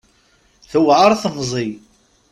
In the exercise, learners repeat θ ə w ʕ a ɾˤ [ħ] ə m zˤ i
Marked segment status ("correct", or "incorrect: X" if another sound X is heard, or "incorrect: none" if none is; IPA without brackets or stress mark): incorrect: θ